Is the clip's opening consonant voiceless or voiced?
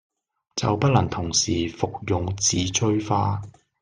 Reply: voiceless